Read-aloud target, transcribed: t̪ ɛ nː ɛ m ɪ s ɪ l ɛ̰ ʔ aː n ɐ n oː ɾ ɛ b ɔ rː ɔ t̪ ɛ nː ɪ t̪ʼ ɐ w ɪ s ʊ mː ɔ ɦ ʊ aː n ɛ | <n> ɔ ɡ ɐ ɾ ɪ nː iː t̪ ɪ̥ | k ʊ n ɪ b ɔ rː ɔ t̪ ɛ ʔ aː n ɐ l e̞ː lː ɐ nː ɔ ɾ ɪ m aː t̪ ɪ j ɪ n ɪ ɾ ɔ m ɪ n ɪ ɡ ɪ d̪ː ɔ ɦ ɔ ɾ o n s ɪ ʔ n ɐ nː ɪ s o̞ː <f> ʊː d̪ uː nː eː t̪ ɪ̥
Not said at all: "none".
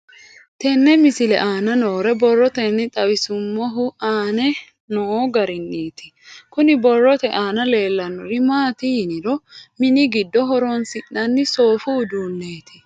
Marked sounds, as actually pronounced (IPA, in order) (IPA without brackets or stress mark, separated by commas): n, f